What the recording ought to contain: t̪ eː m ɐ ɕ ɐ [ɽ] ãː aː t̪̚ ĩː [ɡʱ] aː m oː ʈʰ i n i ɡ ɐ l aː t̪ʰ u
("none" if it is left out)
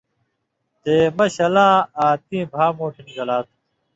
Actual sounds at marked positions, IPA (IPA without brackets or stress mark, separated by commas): l, bʱ